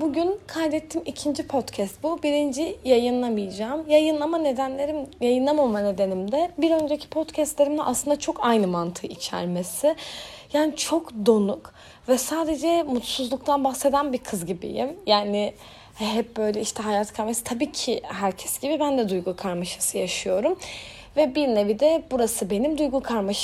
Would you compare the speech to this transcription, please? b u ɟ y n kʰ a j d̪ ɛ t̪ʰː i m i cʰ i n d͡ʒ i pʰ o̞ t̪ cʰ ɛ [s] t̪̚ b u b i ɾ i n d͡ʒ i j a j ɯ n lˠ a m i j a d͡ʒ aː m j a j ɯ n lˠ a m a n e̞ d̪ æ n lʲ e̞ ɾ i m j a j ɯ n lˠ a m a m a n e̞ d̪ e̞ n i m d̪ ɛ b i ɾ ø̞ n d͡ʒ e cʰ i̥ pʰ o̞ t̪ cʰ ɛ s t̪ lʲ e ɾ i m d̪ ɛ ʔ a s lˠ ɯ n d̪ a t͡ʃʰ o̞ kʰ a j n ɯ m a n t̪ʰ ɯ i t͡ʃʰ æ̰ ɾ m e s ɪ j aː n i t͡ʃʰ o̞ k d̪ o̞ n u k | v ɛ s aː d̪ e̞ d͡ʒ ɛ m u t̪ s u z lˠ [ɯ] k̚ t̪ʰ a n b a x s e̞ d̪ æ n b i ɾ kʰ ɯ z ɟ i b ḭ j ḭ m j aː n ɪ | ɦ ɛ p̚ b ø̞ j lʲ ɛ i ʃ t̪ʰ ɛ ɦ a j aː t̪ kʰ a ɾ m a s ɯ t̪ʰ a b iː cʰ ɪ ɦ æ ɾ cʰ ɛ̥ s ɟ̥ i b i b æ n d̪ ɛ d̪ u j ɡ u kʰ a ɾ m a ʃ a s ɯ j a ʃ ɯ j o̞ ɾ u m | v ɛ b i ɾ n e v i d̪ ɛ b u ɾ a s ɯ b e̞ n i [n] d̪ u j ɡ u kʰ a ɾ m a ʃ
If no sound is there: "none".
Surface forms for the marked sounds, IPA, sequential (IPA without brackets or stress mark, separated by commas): s, u, m